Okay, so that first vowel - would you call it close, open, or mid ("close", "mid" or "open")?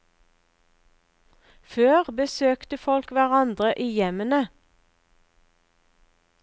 mid